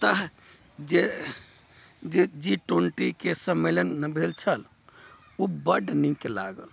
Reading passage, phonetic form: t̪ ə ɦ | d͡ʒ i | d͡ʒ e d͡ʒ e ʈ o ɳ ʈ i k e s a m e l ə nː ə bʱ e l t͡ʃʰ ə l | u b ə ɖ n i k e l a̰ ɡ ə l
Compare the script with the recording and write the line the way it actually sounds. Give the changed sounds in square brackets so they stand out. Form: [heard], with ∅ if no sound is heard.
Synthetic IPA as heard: t̪ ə ɦ | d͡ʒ [e] | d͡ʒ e d͡ʒ [i] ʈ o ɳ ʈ i k e s [ə] m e l ə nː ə bʱ e l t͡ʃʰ ə l | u b ə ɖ n i k e l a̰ ɡ ə l